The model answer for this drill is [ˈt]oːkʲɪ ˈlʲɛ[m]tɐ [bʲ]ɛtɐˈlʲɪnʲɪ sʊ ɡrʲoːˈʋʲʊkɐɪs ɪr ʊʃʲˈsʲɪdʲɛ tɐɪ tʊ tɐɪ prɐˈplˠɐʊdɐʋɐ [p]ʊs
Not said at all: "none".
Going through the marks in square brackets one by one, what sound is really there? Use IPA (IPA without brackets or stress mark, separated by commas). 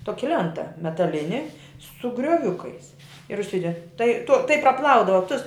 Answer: t, n, mʲ, t